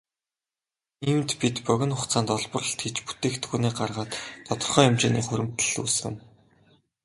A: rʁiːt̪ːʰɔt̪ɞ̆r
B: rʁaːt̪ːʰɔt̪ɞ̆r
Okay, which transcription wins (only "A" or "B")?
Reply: B